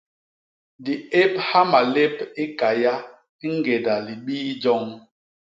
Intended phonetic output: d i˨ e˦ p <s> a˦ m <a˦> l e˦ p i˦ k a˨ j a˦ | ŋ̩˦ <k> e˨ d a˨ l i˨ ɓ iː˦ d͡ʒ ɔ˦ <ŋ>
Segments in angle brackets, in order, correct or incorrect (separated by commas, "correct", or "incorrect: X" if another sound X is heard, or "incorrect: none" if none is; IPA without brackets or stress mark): incorrect: h, incorrect: a˨, incorrect: ɡ, correct